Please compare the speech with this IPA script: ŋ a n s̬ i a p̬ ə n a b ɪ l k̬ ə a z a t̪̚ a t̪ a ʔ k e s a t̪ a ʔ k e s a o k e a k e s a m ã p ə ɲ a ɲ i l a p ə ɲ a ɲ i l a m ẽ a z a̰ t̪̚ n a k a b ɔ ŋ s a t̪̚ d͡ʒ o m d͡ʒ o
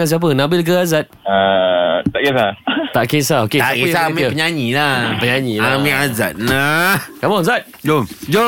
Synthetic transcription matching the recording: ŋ a n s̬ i a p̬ ə n a b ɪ l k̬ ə a z a t̪̚ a t̪ a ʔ k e s a t̪ a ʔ k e s a o k e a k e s a m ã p ə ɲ a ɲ i l a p ə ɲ a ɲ i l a m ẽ a z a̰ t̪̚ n a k a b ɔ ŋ z a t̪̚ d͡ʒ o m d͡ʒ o